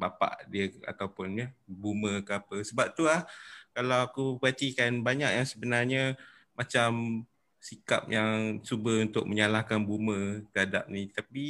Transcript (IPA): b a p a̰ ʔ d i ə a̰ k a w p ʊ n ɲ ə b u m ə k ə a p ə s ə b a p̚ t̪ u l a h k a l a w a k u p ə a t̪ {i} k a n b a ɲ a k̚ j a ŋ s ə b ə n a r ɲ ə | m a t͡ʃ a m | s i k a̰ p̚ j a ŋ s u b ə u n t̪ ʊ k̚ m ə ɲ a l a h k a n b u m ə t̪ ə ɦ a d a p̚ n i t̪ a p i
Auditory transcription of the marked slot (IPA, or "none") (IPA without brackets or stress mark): i